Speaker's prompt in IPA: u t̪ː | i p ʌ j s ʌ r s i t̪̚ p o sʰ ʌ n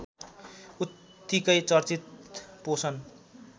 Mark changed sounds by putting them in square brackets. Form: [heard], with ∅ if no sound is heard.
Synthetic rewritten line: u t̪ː | i [k] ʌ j [t͡s] ʌ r [t͡s] i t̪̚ p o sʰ ʌ n